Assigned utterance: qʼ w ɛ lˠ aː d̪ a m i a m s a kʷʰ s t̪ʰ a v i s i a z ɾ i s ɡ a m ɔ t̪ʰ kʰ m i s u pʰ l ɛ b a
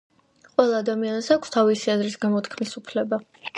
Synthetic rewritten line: qʼ w ɛ lˠ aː d̪ a m i a n s a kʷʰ s t̪ʰ a v i s i a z ɾ i s ɡ a m ɔ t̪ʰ kʰ m i s u pʰ l ɛ b a